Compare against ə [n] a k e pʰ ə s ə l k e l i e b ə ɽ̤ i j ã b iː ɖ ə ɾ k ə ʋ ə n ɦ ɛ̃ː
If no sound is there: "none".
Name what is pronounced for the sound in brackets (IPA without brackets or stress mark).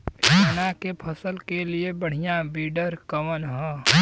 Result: n